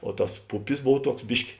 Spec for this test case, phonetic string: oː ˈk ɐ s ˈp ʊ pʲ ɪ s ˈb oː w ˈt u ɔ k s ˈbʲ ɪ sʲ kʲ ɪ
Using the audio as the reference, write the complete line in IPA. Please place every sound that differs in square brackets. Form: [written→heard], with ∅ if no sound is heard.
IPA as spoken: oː [ˈk→ˈt] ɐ s ˈp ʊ pʲ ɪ s ˈb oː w ˈt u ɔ k s ˈbʲ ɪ [sʲ→ʃʲ] kʲ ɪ